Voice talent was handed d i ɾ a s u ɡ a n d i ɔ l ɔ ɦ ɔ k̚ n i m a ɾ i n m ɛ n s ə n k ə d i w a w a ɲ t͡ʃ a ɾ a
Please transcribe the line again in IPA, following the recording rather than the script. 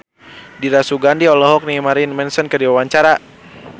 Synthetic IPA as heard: d i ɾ a s u ɡ a n d i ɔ l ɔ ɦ ɔ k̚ n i m a ɾ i n m ɛ n s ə n k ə d i w a w a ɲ t͡ʃ a ɾ a